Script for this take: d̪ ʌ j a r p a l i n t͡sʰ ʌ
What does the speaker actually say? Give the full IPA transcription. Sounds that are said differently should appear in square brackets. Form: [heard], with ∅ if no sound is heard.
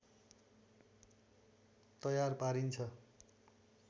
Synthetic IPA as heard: [t̪] ʌ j a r p a [ɾ] i n t͡sʰ ʌ